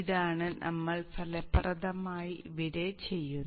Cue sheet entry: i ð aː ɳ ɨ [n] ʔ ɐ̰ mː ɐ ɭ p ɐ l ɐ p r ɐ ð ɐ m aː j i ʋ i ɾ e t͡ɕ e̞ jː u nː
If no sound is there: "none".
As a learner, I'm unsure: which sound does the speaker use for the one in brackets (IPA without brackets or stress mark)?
n